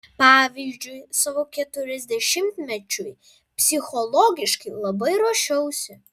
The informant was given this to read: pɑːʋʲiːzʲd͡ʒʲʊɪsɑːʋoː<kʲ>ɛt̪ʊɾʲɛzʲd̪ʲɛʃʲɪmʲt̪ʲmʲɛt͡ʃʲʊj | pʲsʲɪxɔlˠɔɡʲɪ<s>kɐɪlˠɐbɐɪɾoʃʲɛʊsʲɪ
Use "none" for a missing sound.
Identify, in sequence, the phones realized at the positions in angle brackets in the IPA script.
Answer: kʲ, ʃ

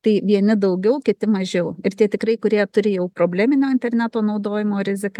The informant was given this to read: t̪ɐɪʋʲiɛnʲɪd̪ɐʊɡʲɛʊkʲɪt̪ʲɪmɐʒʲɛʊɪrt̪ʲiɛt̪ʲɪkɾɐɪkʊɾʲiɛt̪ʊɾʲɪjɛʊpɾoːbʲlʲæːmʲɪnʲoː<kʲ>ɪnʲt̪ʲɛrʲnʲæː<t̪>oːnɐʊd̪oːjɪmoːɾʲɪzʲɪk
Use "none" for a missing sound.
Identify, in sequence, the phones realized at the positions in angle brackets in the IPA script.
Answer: none, t̪

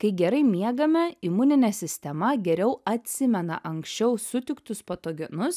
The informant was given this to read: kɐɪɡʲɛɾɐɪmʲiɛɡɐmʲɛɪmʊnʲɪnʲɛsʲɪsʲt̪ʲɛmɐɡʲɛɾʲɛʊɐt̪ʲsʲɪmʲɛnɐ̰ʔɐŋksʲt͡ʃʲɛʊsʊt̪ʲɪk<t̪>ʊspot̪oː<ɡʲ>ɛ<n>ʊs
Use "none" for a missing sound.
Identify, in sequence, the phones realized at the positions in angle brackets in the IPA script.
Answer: t̪, ɡʲ, n

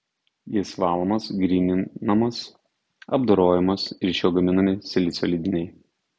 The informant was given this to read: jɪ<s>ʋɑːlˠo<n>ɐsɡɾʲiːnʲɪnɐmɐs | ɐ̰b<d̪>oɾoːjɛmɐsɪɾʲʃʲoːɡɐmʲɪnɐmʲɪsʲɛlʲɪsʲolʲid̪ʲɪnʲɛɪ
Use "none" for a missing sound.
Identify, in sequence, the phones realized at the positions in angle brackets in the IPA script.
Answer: s, m, d̪

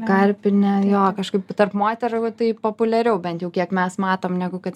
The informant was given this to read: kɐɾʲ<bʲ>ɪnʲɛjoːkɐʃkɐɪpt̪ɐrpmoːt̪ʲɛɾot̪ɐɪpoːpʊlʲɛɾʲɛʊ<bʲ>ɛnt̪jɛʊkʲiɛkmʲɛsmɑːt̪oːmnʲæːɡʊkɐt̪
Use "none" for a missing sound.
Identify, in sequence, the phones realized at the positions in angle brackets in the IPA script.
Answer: pʲ, bʲ

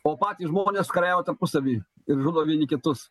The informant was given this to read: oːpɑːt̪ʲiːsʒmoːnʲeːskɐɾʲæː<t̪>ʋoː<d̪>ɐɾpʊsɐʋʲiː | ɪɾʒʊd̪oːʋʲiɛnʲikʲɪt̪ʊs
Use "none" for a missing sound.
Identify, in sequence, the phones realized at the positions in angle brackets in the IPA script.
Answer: none, t̪

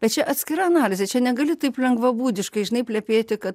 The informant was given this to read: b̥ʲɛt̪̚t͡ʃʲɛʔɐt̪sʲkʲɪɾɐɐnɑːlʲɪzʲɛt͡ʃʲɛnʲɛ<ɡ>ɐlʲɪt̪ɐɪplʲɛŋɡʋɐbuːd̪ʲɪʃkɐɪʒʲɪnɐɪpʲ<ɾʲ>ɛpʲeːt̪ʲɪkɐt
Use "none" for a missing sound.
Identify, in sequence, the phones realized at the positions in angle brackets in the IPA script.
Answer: ɡ, lʲ

